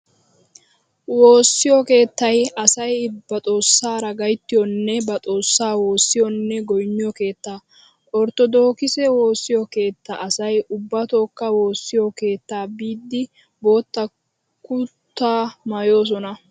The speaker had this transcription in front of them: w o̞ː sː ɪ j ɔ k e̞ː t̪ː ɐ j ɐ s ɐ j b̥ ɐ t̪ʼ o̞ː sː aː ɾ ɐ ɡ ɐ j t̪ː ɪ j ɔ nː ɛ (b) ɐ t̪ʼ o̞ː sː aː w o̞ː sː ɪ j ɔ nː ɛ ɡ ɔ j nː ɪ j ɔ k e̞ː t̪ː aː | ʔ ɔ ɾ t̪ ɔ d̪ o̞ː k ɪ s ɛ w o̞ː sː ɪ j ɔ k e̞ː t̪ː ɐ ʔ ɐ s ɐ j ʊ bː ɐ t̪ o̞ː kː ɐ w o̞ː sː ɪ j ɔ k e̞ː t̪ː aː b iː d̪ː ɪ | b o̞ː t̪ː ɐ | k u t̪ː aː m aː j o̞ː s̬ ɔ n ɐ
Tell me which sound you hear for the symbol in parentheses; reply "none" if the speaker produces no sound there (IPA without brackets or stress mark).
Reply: b